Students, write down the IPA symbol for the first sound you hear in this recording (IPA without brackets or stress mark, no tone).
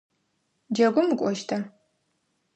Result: d͡ʒ